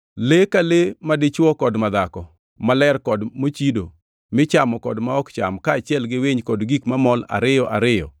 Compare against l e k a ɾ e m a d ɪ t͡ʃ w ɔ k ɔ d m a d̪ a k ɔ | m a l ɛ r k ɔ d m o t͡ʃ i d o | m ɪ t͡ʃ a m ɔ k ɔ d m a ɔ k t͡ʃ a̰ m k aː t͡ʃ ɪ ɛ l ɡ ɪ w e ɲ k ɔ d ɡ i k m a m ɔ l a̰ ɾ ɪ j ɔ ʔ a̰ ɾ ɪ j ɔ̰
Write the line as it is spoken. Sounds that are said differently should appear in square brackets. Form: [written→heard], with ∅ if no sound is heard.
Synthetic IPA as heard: l e k a [ɾ→l] e m a d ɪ t͡ʃ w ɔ k ɔ d m a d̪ a k ɔ | m a l ɛ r k ɔ d m o t͡ʃ i d o | m ɪ t͡ʃ a m ɔ k ɔ d m a ɔ k t͡ʃ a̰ m k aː t͡ʃ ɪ ɛ l ɡ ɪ w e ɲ k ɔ d ɡ i k m a m ɔ l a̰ ɾ ɪ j ɔ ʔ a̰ ɾ ɪ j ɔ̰

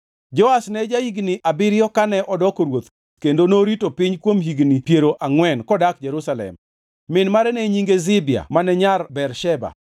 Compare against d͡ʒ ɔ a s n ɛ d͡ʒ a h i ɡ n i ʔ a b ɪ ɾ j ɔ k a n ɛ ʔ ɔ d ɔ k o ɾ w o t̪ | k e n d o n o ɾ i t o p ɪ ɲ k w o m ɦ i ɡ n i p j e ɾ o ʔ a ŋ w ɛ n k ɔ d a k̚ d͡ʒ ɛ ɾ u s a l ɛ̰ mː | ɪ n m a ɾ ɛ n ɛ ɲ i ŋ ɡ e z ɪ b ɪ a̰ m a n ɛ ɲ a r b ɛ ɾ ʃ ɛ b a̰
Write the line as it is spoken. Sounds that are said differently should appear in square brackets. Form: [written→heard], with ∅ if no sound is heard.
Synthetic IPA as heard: d͡ʒ ɔ a s n ɛ d͡ʒ a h i ɡ n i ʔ a b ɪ ɾ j ɔ k a n ɛ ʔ ɔ d ɔ k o ɾ w o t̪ | k e n d o n o ɾ i t o p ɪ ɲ k w o m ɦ i ɡ n i p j e ɾ o ʔ a ŋ w ɛ n k ɔ d a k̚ d͡ʒ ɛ ɾ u s a l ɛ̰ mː | ɪ n m a ɾ ɛ n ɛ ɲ i ŋ ɡ e z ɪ b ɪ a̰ m a n ɛ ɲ a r b ɛ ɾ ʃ ɛ b a̰

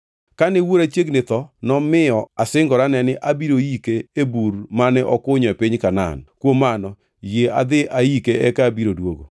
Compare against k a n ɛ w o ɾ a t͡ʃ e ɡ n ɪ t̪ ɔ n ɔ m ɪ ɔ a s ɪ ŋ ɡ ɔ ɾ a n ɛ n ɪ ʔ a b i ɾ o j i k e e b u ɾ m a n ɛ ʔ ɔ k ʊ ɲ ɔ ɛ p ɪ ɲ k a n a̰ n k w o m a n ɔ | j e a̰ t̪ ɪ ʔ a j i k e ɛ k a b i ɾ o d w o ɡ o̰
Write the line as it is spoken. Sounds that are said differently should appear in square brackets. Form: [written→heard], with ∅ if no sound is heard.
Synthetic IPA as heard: k a n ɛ w o ɾ a t͡ʃ e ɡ n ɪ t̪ ɔ n ɔ m ɪ ɔ a s ɪ ŋ ɡ ɔ ɾ a n ɛ n ɪ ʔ a b i ɾ o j i k e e b u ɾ m a n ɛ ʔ ɔ k ʊ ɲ ɔ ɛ p ɪ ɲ k a n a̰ n k w o m a n ɔ | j e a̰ [t̪→d̪] ɪ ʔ a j i k e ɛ k a b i ɾ o d w o ɡ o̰

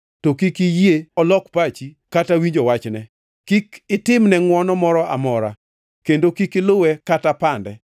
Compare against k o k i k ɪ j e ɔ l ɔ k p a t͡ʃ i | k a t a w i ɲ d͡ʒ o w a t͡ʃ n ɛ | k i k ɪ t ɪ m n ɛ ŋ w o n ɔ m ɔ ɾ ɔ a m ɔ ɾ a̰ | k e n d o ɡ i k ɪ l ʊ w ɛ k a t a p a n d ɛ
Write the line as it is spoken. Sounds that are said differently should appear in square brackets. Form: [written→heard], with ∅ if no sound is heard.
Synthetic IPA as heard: [k→t] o k i k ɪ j e ɔ l ɔ k p a t͡ʃ i | k a t a w i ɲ d͡ʒ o w a t͡ʃ n ɛ | k i k ɪ t ɪ m n ɛ ŋ w [o→ɔ] n ɔ m ɔ ɾ ɔ a m ɔ ɾ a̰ | k e n d o [ɡ→k] i k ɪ l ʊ w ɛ k a t a p a n d ɛ

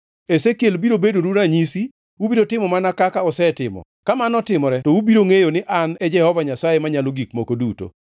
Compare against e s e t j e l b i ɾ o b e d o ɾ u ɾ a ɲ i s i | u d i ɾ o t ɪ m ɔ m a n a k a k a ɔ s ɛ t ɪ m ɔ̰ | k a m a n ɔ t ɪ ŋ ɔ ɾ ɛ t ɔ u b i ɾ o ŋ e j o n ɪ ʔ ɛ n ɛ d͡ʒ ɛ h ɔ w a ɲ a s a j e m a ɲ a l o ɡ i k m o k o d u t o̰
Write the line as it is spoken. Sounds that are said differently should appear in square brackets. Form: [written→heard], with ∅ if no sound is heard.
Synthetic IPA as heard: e s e [t→k] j e l b i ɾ o b e d o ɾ u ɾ a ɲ i s i | u [d→b] i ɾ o t ɪ m ɔ m a n a k a k a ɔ s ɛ t ɪ m ɔ̰ | k a m a n ɔ t ɪ [ŋ→m] ɔ ɾ ɛ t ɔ u b i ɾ o ŋ e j o n ɪ ʔ [ɛ→a] n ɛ d͡ʒ ɛ h ɔ [w→v] a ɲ a s a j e m a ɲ a l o ɡ i k m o k o d u t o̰

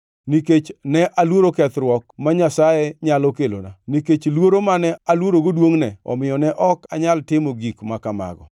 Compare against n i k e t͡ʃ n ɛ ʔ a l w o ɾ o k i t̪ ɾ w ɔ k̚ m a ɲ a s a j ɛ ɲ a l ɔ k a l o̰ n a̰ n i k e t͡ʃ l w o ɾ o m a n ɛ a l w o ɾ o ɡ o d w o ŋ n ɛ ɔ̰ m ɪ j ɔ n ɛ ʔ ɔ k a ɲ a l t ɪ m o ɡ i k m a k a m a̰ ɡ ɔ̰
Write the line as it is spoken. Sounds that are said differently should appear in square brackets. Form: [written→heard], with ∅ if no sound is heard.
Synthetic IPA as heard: n i k e t͡ʃ n ɛ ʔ a l w o ɾ o k [i→ɛ] t̪ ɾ w ɔ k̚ m a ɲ a s a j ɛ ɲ a l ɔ k [a→e] l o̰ n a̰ n i k e t͡ʃ l w o ɾ o m a n ɛ a l w o ɾ o ɡ o d w o ŋ n ɛ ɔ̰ m ɪ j ɔ n ɛ ʔ ɔ k a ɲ a l t ɪ m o ɡ i k m a k a m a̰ ɡ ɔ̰

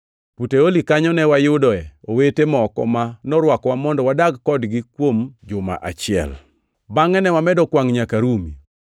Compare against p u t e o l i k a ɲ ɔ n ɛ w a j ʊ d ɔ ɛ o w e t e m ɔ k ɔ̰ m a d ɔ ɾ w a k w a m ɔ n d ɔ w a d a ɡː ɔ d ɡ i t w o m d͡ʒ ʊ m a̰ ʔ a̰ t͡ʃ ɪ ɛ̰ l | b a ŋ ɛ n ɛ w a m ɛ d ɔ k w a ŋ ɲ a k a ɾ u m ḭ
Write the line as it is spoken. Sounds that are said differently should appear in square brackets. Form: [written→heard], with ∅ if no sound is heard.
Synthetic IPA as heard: p u t e o l i k a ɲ ɔ n ɛ w a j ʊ d ɔ ɛ o w e t e m ɔ k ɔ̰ m a [d→n] ɔ ɾ w a k w a m ɔ n d ɔ w a d a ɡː ɔ d ɡ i [t→k] w o m d͡ʒ ʊ m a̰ ʔ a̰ t͡ʃ ɪ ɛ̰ l | b a ŋ ɛ n ɛ w a m ɛ d ɔ k w a ŋ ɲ a k a ɾ u m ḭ

